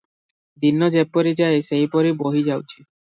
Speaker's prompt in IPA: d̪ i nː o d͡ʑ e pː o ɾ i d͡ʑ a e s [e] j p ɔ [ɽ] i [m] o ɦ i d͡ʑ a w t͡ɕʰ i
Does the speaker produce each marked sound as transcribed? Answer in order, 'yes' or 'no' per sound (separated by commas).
yes, no, no